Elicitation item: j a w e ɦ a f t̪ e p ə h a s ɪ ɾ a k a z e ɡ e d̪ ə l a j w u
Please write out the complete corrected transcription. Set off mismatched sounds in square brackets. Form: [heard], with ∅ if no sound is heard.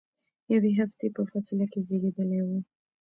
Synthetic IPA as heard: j a w e ɦ a f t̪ e p ə [f] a s ɪ [l] a k [e] z e ɡ e d̪ ə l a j w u